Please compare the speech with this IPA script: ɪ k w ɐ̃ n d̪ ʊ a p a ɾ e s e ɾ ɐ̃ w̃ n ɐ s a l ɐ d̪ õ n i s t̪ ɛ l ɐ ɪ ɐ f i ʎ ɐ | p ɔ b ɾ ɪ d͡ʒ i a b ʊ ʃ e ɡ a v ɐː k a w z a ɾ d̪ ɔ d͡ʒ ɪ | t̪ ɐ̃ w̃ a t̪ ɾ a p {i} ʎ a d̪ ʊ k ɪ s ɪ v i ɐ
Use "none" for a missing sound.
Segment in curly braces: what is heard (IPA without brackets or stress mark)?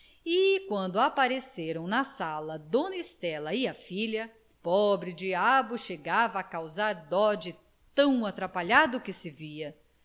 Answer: a